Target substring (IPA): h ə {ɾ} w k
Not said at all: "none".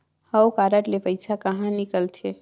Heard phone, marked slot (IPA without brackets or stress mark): none